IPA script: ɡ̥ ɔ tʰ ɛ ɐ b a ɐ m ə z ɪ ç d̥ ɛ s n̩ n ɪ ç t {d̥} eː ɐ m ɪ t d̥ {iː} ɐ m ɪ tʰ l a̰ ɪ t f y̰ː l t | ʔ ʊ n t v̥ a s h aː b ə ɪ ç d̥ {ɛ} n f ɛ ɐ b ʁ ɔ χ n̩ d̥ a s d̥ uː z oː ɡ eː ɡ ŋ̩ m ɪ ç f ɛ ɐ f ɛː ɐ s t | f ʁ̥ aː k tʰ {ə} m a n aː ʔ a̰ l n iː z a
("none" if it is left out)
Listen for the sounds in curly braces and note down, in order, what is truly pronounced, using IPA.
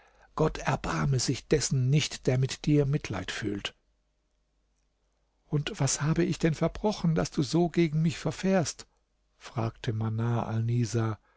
d̥, iː, ɛ, ə

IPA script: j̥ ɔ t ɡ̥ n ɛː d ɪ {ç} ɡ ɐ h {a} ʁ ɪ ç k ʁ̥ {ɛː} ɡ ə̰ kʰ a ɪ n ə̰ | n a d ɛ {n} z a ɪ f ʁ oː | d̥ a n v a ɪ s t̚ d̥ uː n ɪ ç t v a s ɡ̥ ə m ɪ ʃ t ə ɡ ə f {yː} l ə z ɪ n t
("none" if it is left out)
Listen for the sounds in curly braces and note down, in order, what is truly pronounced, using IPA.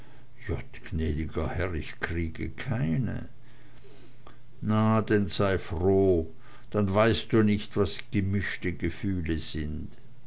none, ɛ, iː, n, yː

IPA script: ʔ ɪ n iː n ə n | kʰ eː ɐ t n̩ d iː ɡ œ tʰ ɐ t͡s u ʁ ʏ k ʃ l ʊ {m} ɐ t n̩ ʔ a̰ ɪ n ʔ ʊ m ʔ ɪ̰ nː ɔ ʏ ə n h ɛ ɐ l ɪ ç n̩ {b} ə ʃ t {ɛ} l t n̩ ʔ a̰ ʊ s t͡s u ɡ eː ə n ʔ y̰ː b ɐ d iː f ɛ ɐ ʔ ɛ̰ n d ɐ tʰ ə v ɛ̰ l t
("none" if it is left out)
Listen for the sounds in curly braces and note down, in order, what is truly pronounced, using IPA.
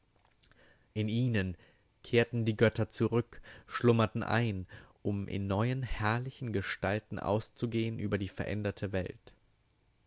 m, ɡ, a

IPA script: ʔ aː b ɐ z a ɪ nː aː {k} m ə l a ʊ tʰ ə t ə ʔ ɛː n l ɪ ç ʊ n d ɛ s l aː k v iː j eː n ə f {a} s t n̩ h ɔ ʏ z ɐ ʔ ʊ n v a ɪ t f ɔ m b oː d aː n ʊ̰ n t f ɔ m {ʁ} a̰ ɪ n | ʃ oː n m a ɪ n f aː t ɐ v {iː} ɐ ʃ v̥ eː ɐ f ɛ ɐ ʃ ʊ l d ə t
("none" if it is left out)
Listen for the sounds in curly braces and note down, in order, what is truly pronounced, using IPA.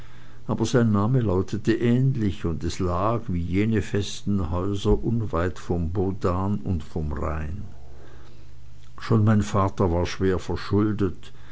none, ɛ, ʁ, aː

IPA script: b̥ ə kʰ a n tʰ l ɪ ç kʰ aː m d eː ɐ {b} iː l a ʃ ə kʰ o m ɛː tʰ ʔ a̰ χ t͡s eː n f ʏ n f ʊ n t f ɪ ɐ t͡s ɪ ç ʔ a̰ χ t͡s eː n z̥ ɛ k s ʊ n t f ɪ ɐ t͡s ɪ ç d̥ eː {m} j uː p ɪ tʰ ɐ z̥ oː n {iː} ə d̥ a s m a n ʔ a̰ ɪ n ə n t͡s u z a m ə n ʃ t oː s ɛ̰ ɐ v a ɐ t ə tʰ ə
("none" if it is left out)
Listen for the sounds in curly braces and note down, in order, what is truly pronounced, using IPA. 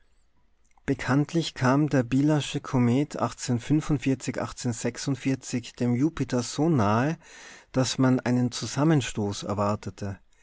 b, m, aː

